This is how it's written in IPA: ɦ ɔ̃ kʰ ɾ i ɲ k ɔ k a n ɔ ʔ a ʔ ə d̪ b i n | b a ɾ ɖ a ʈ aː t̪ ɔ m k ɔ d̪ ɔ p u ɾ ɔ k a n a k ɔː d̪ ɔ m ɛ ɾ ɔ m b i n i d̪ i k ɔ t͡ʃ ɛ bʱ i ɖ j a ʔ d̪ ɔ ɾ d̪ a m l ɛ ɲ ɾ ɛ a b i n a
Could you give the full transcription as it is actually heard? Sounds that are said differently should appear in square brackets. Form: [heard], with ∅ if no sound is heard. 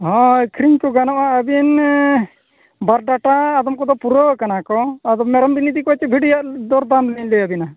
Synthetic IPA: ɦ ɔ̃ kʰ ɾ i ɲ k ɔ [ɡ] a n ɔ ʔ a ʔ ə [∅] b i n | b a ɾ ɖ a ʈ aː [d̪] ɔ m k ɔ d̪ ɔ p u ɾ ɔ k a n a k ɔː d̪ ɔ m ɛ ɾ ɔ m b i n i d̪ i k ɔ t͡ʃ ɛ bʱ i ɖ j a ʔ d̪ ɔ ɾ d̪ a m l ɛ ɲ [l] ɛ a b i n a